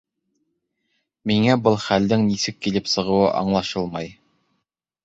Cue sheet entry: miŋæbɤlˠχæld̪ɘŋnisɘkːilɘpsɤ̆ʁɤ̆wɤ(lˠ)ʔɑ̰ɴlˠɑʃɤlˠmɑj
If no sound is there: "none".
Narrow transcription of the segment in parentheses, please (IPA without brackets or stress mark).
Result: none